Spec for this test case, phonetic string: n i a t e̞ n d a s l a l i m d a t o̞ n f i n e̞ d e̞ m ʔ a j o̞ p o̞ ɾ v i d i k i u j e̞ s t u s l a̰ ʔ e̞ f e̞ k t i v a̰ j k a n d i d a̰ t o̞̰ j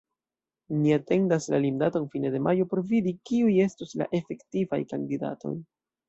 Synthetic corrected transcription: n i a t e̞ n d a s l a l i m d a t o̞ n f i n e̞ d e̞ m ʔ a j o̞ p o̞ ɾ v i d i k i u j e̞ s t u s l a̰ ʔ e̞ f e̞ k t i v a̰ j k a n d i d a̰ t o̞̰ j